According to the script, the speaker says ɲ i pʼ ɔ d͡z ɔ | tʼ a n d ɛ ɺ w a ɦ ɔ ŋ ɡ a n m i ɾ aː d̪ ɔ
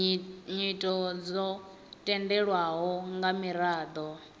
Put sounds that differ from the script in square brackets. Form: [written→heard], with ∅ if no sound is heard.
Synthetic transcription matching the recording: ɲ i [pʼ→tʼ] ɔ d͡z ɔ | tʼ [a→ɛ] n d ɛ ɺ w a ɦ ɔ ŋ ɡ a [n→∅] m i ɾ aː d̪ ɔ